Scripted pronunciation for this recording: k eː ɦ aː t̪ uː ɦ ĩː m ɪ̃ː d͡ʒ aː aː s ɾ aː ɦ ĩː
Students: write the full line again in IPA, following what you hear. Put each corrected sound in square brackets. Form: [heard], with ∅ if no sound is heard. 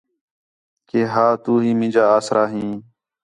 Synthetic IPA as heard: k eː ɦ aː t̪ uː ɦ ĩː m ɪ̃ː d͡ʒ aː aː s ɾ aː ɦ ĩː

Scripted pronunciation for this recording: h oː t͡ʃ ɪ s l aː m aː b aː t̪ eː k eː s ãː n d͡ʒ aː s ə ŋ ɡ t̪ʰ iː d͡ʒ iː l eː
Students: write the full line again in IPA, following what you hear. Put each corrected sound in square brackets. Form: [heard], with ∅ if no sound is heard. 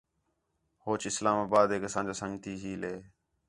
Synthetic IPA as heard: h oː t͡ʃ ɪ s l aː m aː b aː [d̪] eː k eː s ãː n d͡ʒ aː s ə ŋ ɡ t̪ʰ iː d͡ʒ iː l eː

